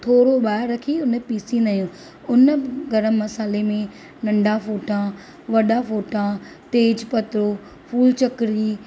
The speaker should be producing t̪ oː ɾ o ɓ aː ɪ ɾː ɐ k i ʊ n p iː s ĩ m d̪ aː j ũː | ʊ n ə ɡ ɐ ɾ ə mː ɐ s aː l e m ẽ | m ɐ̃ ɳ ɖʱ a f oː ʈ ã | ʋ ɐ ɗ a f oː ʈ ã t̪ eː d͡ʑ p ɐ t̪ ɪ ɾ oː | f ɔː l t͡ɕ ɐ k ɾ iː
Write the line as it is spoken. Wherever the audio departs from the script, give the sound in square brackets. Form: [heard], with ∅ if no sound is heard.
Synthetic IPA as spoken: [t̪ʰ] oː ɾ o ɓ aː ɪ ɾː ɐ [kʰ] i ʊ n p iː s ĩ [n] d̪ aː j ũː | ʊ n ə ɡ ɐ ɾ ə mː ɐ s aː l e m ẽ | [n] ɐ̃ ɳ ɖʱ a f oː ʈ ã | ʋ ɐ ɗ a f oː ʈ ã t̪ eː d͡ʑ p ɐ t̪ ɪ ɾ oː | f [uː] l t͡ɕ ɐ k ɾ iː